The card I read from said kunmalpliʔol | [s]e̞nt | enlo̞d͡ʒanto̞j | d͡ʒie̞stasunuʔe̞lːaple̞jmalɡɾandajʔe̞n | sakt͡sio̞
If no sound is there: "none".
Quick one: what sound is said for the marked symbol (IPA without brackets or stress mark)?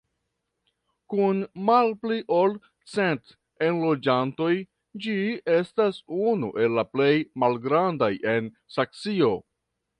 t͡s